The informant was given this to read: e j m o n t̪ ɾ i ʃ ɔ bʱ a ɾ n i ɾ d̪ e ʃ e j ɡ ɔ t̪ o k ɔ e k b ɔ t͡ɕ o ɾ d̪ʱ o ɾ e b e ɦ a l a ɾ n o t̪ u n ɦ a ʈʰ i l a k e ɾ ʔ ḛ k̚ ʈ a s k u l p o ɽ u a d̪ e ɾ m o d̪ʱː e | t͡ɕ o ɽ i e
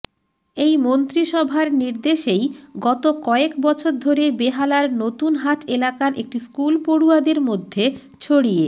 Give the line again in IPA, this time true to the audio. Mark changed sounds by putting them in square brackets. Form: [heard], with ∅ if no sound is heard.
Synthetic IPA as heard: e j m o n t̪ ɾ i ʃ ɔ bʱ a ɾ n i ɾ d̪ e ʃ e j ɡ ɔ t̪ o k ɔ e k b ɔ [t͡ɕʰ] o ɾ d̪ʱ o ɾ e b e ɦ a l a ɾ n o t̪ u n ɦ a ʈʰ [e] l a k [a] ɾ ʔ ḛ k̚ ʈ [i] s k u l p o ɽ u a d̪ e ɾ m o d̪ʱː e | [t͡ɕʰ] o ɽ i e